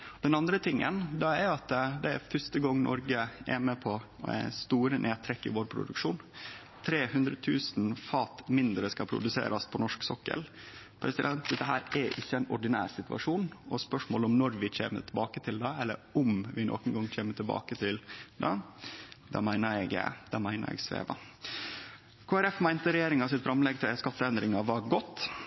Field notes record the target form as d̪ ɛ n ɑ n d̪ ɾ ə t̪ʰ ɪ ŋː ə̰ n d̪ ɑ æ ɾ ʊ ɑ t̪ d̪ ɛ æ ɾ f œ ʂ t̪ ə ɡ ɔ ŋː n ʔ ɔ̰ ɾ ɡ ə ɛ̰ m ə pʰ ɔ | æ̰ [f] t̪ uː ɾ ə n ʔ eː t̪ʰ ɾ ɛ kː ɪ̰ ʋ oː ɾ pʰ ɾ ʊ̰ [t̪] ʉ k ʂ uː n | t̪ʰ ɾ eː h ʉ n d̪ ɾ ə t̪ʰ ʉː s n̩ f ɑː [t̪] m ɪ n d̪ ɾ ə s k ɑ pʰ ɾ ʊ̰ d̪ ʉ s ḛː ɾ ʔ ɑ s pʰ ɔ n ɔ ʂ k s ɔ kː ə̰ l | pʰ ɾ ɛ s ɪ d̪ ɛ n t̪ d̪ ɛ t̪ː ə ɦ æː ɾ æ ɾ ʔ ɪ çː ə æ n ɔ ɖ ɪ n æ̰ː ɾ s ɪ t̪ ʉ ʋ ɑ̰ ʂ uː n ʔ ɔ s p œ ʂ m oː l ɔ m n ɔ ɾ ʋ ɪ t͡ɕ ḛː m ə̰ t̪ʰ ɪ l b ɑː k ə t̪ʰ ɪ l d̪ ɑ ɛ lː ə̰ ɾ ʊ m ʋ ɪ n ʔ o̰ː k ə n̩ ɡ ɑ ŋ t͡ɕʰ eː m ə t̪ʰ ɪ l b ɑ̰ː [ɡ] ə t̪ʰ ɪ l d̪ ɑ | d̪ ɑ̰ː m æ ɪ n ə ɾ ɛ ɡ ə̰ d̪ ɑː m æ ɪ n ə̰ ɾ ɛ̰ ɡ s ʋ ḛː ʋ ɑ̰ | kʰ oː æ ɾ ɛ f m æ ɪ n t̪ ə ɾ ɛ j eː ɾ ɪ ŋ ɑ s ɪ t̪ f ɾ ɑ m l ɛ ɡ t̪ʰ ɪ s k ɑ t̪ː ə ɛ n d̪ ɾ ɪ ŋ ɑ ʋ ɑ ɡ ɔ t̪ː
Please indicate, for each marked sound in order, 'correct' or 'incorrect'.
incorrect: s, incorrect: d̪, correct, incorrect: k

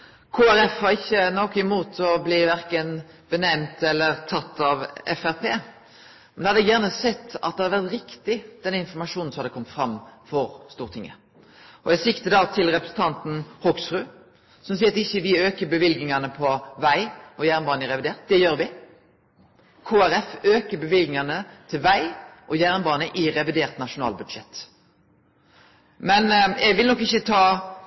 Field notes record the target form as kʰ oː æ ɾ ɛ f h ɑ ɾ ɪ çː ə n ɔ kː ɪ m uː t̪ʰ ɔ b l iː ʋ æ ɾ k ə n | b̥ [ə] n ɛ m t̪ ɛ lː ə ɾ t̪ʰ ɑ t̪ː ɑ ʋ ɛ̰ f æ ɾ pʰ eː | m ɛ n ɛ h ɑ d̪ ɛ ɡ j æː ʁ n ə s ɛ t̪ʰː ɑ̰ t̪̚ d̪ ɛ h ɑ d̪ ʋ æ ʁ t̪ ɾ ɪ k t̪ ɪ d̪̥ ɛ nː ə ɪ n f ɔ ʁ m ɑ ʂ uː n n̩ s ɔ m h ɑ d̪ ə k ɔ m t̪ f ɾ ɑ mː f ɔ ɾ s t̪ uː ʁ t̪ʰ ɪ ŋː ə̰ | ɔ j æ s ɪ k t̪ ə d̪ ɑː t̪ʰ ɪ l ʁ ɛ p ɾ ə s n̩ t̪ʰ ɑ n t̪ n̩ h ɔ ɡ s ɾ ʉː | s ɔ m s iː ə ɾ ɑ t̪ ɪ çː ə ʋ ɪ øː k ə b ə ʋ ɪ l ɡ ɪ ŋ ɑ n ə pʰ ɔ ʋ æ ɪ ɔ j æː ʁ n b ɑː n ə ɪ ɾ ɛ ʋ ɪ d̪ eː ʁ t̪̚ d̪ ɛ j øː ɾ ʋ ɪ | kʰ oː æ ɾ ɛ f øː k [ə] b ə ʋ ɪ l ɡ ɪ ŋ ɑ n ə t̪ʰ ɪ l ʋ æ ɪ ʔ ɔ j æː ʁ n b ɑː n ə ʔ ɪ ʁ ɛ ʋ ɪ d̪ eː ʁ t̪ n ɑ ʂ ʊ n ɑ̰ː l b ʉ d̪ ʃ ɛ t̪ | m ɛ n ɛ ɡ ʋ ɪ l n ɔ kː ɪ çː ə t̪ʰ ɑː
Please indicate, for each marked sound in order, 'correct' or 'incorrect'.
correct, correct

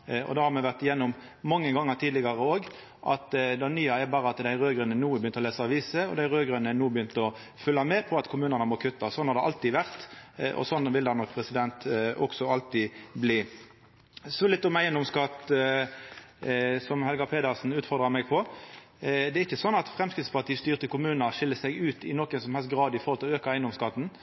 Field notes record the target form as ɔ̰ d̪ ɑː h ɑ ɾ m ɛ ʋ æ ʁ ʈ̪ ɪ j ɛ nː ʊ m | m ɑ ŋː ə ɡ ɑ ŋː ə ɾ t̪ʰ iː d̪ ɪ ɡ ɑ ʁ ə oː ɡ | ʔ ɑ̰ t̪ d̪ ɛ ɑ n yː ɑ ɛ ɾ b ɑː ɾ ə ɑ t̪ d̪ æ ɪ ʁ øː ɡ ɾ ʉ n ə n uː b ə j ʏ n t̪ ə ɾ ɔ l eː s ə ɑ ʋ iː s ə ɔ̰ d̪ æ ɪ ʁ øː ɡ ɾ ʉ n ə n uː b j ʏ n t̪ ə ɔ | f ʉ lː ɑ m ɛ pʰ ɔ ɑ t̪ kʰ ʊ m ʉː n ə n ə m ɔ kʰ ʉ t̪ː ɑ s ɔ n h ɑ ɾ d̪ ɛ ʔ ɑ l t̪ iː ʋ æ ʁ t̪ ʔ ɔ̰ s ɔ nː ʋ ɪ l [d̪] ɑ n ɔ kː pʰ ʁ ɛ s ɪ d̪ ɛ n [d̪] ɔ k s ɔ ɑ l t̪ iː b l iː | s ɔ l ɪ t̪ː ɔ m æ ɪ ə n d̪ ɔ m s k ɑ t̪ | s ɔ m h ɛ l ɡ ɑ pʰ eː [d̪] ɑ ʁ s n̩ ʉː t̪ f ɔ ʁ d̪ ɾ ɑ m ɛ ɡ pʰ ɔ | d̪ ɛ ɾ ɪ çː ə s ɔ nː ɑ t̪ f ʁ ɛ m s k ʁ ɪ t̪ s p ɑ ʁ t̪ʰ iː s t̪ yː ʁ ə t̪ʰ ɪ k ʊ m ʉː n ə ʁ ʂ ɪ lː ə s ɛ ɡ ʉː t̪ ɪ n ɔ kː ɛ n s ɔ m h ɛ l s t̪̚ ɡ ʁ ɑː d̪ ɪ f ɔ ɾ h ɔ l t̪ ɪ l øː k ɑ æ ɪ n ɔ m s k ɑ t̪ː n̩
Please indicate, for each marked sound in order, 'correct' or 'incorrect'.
correct, incorrect: t̪, correct

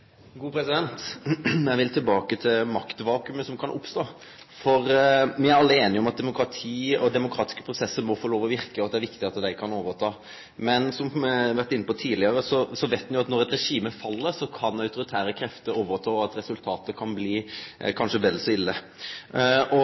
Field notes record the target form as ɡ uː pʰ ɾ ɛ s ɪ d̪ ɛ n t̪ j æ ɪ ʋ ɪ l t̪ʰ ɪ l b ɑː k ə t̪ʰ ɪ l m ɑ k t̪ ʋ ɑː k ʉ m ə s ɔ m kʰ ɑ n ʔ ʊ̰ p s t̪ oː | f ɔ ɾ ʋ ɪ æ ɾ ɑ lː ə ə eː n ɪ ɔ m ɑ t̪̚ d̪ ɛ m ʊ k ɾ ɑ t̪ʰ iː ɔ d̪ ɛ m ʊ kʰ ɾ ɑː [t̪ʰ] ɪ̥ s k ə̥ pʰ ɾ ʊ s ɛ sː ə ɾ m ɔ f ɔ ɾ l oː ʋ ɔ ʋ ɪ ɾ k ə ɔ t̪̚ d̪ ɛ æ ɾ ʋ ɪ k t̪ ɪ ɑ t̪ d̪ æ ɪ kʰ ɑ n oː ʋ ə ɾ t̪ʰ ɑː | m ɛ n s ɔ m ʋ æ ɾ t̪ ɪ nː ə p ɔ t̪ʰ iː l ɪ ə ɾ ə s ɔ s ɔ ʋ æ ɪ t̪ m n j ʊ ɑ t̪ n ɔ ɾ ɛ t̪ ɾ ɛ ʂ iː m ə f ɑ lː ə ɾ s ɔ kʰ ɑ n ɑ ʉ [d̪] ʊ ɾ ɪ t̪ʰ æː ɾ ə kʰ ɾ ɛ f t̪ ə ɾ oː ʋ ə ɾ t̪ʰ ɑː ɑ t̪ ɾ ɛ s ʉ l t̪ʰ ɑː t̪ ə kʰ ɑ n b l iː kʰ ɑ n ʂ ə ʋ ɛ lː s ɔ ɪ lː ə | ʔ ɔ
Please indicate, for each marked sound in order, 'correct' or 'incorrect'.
incorrect: t̪, incorrect: t̪

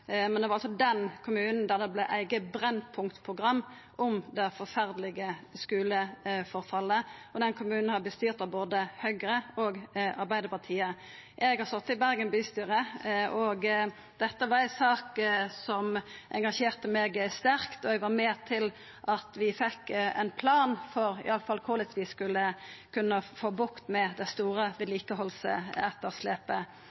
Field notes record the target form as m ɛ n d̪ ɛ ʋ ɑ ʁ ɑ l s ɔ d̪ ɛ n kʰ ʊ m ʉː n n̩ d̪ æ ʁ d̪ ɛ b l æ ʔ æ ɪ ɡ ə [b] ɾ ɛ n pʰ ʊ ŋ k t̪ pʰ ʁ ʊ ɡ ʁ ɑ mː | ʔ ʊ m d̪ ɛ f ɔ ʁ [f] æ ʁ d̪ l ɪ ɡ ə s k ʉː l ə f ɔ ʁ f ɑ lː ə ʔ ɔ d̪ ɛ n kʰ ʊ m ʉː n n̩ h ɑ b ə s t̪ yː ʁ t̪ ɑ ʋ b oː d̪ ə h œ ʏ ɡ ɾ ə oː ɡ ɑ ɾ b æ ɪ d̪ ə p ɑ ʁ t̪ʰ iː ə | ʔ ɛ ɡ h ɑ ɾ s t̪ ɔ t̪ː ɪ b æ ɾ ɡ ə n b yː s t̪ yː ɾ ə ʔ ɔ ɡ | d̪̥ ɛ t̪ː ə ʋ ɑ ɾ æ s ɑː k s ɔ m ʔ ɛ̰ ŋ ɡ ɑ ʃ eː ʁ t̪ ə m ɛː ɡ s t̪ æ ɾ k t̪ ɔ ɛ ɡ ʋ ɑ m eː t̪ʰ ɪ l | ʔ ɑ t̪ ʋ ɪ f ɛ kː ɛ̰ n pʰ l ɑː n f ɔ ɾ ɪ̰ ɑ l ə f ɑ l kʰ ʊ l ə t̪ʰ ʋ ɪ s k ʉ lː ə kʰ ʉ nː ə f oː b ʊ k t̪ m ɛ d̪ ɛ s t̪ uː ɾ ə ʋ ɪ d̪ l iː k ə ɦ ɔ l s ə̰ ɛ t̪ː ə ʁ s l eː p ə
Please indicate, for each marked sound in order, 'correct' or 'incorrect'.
correct, correct

